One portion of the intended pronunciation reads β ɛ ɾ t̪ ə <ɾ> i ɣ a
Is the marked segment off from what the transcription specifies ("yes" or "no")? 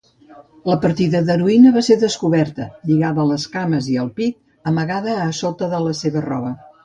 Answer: yes